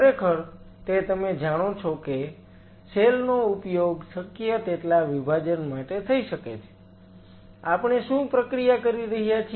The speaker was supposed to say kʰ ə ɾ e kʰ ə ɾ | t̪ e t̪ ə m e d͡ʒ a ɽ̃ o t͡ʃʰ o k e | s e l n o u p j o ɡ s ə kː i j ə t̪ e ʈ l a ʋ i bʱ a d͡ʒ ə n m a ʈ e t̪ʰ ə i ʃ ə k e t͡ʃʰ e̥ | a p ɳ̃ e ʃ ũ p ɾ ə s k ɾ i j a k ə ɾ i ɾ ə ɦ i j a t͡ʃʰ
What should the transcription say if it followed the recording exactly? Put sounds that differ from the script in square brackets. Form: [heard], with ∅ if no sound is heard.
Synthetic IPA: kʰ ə ɾ e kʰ ə ɾ | t̪ e t̪ ə m e d͡ʒ a ɽ̃ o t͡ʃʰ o k e | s e l n o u p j o ɡ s ə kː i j ə t̪ e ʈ l a ʋ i bʱ a d͡ʒ ə n m a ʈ e t̪ʰ ə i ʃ ə k e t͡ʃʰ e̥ | a p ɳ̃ e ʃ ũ p ɾ ə [∅] k ɾ i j a k ə ɾ i ɾ ə ɦ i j a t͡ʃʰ